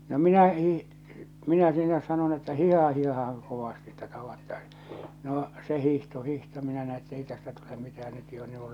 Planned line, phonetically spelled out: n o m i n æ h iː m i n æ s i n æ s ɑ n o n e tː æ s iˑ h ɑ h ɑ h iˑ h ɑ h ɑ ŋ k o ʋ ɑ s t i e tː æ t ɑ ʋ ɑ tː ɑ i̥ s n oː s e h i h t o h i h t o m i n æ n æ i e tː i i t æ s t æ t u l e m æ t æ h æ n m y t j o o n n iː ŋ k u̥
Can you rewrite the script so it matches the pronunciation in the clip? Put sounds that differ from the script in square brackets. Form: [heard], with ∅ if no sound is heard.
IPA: n o m i n æ h iː m i n æ s i n æ s ɑ n o n e tː æ [h] iˑ h ɑ h ɑ h iˑ h ɑ h ɑ ŋ k o ʋ ɑ s t i e tː æ t ɑ ʋ ɑ tː ɑ i̥ s n oː s e h i h t o h i h t o m i n æ n æ i e tː [e] i t æ s t æ t u l e m [i] t æ h æ n [n] y t j o o n n iː ŋ k u̥